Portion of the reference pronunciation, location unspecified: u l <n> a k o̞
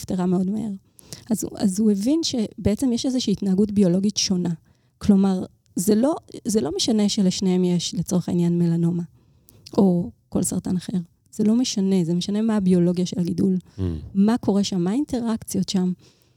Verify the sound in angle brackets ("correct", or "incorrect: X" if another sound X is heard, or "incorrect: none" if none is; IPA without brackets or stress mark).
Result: incorrect: m